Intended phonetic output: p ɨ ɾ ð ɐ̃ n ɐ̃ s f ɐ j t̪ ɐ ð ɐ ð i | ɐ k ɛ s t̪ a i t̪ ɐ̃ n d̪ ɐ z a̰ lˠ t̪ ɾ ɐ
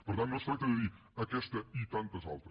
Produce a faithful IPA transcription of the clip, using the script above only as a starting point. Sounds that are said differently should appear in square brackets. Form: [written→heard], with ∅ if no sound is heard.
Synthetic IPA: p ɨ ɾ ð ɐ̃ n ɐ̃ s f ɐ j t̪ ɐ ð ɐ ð i | ɐ k ɛ [s→ʃ] t̪ [a→ɐ] i t̪ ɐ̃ n [d̪→t̪] ɐ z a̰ lˠ t̪ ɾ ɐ